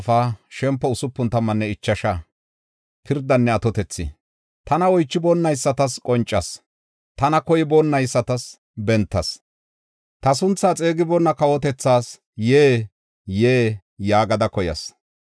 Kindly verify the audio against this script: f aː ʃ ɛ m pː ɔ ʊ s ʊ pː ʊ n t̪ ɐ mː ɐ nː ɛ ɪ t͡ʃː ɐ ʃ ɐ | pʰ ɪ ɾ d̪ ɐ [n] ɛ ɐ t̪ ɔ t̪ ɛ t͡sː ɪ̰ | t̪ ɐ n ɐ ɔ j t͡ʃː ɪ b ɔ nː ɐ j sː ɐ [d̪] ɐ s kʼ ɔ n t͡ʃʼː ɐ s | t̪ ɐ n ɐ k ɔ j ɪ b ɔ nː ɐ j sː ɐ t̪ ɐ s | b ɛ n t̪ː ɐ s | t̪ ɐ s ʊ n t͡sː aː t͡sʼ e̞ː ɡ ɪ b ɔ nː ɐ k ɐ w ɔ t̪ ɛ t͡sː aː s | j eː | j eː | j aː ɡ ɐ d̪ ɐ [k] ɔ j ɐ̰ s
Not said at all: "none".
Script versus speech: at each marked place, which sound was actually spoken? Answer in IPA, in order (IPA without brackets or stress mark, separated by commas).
nː, t̪, k